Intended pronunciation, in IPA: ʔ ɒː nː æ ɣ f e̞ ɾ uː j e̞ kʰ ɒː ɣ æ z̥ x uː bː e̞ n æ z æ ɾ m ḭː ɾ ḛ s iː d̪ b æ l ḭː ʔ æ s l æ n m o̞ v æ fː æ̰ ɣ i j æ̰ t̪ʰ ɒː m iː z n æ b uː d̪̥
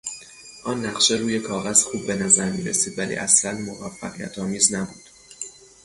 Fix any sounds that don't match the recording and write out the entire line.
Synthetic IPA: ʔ ɒː nː æ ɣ ʃ e̞ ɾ uː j e̞ kʰ ɒː ɣ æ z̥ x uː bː e̞ n æ z æ ɾ m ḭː ɾ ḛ s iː d̪ v æ l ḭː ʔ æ s l æ n m o̞ v æ fː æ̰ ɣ i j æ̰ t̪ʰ ɒː m iː z n æ b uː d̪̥